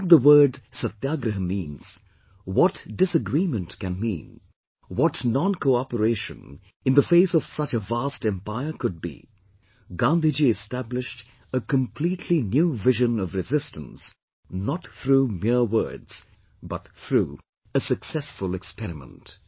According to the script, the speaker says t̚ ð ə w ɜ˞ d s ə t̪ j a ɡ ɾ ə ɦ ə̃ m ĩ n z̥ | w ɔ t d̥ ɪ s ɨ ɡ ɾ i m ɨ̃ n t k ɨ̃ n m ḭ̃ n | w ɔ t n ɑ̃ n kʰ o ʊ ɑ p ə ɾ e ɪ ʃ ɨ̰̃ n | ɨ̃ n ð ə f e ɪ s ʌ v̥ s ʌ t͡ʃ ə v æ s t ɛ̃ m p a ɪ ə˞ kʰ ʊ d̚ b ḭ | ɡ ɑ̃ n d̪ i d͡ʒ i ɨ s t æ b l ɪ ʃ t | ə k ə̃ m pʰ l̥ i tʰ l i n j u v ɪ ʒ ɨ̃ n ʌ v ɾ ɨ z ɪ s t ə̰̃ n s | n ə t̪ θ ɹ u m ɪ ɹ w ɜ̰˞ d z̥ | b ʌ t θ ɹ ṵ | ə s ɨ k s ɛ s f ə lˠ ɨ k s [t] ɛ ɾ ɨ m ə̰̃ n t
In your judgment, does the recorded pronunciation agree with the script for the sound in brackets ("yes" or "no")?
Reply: no